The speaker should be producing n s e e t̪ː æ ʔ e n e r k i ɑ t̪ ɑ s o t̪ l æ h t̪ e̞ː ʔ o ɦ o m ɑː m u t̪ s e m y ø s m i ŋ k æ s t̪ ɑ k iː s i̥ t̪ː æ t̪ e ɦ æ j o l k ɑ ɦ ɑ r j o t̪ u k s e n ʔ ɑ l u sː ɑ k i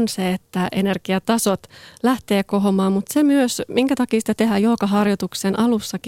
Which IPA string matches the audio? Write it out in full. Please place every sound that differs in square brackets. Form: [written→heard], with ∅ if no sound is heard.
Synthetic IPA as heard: n s e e t̪ː æ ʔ e n e r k i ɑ t̪ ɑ s o t̪ l æ h t̪ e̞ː [ʔ→k] o ɦ o m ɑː m u t̪ s e m y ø s m i ŋ k æ [s→∅] t̪ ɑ k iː s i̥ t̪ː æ t̪ e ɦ æ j o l k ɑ ɦ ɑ r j o t̪ u k s e n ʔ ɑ l u sː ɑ k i